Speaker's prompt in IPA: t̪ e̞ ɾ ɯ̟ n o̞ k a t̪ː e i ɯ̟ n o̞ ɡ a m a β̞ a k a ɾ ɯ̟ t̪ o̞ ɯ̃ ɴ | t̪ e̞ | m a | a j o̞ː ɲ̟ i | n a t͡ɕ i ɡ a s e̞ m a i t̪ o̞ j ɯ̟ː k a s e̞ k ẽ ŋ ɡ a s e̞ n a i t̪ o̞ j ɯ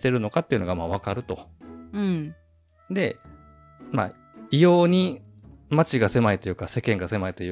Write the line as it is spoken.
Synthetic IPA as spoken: t̪ e̞ ɾ ɯ̟ n o̞ k a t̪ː e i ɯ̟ n o̞ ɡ a m a β̞ a k a ɾ ɯ̟ t̪ o̞ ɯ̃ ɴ | d̪ e̞ | m a | i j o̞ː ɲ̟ i | m a t͡ɕ i ɡ a s e̞ m a i t̪ o̞ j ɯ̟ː k a s e̞ k ẽ ŋ ɡ a s e̞ m a i t̪ o̞ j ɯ